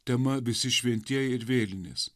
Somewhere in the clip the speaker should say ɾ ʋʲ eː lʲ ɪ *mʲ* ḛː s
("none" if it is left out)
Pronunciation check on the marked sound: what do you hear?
nʲ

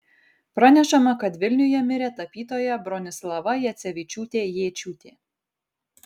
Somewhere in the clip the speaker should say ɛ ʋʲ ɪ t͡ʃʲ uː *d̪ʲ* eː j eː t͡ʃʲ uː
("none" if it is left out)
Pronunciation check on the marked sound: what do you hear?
t̪ʲ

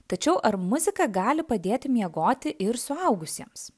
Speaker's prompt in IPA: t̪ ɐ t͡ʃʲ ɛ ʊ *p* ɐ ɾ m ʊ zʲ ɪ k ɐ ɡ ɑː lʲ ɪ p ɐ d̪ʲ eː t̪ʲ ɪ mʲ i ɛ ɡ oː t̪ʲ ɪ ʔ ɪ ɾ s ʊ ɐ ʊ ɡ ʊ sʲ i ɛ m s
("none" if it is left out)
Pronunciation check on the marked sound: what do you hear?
ʔ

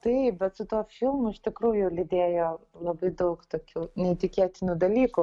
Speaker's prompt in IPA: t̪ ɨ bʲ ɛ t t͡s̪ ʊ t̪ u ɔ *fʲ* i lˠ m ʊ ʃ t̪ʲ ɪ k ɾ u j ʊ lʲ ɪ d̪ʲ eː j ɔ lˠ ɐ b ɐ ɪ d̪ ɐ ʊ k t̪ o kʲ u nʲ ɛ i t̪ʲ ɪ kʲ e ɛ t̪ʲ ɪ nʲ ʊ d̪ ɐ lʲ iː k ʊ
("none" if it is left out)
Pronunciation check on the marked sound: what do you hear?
fʲ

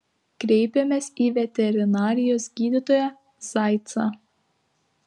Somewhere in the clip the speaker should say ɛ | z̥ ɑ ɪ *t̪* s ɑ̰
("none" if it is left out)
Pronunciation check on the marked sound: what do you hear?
t̪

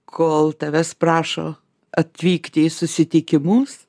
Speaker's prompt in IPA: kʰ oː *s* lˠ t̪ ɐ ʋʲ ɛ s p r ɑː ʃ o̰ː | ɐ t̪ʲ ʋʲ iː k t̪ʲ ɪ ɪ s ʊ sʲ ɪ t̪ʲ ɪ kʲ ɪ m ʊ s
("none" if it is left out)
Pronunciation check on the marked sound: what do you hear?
none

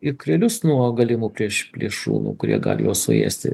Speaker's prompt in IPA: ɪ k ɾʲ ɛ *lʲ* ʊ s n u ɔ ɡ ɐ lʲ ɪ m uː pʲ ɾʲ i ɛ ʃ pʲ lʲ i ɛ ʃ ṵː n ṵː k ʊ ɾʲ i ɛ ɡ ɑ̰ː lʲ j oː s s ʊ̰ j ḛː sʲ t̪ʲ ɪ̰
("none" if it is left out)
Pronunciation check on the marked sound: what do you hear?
lʲ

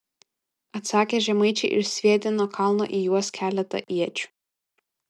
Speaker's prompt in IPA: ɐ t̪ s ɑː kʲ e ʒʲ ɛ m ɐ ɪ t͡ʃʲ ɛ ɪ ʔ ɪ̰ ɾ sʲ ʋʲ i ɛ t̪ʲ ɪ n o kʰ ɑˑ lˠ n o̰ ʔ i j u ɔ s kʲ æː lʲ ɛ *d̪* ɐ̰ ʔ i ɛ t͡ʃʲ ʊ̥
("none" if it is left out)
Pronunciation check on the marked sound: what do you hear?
t̪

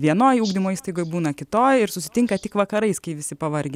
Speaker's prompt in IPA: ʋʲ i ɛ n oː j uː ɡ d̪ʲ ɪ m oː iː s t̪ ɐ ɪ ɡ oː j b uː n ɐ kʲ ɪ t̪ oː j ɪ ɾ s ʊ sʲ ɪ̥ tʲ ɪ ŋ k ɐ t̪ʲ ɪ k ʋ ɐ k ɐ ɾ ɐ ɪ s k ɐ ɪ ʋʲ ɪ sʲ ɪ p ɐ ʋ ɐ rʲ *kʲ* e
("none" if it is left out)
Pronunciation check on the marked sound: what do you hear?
ɡʲ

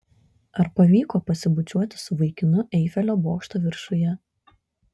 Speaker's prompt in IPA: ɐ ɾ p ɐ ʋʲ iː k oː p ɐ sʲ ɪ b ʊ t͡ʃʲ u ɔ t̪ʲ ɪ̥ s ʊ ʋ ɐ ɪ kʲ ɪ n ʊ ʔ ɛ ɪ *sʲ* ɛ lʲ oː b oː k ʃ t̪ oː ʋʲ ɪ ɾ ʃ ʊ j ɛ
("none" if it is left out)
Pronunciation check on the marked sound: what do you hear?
fʲ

